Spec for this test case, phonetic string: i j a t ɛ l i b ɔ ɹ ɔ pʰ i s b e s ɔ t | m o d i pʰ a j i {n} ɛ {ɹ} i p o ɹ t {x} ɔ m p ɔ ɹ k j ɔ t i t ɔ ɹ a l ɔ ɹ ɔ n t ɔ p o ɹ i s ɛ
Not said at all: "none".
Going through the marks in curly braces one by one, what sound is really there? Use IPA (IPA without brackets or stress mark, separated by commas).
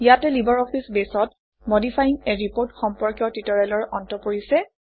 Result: ŋ, ɹ, x